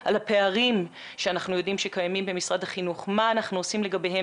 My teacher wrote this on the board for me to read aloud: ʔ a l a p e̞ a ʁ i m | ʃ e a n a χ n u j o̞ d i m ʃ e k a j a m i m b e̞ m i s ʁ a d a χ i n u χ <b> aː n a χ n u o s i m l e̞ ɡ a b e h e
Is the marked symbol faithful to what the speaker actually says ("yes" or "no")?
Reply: no